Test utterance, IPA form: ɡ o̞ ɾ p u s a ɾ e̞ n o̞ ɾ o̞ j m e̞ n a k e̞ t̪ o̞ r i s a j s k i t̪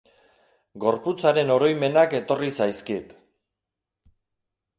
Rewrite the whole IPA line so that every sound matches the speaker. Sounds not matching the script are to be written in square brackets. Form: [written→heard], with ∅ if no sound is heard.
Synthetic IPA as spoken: ɡ o̞ ɾ p u [s→t͡s] a ɾ e̞ n o̞ ɾ o̞ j m e̞ n a k e̞ t̪ o̞ r i s a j s k i t̪